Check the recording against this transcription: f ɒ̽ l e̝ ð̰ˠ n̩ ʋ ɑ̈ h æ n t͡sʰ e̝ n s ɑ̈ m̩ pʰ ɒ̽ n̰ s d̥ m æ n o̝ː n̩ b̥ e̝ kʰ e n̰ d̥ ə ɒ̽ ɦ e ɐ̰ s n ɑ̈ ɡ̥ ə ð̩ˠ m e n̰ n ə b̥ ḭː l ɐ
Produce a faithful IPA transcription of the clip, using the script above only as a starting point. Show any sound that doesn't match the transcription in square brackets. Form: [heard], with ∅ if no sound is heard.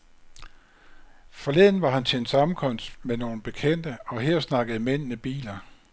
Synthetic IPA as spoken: f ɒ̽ l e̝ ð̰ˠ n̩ ʋ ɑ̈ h æ n t͡sʰ e̝ n s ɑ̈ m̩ [kʰ] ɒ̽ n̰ s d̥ m [e] n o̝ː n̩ b̥ e̝ kʰ e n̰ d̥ ə ɒ̽ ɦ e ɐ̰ s n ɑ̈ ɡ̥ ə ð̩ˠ m e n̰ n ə b̥ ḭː l ɐ